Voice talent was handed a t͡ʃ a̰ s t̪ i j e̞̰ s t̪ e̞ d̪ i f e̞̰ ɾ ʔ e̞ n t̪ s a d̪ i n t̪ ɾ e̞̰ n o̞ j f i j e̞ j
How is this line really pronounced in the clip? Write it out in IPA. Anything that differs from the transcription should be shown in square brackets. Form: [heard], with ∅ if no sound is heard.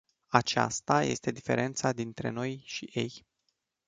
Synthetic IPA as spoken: a t͡ʃ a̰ s t̪ [a] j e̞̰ s t̪ e̞ d̪ i f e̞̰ ɾ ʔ e̞ n t̪ s a d̪ i n t̪ ɾ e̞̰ n o̞ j [ʃ] i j e̞ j